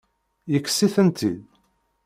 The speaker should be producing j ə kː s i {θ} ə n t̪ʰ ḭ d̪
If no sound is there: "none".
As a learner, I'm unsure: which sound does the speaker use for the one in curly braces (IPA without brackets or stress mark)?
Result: θ